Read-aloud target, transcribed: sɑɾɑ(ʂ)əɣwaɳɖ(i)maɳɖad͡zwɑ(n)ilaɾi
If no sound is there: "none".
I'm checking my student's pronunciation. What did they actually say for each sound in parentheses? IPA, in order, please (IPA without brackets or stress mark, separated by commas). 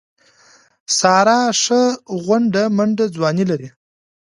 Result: ʂ, a, n